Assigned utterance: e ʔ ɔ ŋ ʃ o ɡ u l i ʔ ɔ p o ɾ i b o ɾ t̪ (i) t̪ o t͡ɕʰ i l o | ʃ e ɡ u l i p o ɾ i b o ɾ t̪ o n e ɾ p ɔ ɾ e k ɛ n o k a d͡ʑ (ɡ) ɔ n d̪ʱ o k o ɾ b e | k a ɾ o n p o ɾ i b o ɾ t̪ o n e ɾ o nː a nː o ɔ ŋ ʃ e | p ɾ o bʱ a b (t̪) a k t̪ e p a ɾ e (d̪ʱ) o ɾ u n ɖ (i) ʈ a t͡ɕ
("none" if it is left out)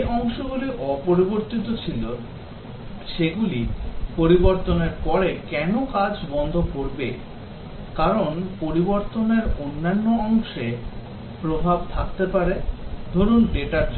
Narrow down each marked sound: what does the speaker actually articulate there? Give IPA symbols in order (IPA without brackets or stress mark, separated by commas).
i, b, t̪ʰ, d̪ʱ, e